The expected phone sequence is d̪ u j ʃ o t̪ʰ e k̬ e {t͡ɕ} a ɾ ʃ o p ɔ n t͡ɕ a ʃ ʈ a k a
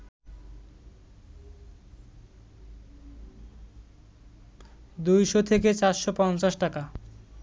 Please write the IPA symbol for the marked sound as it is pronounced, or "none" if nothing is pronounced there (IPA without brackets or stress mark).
t͡ɕ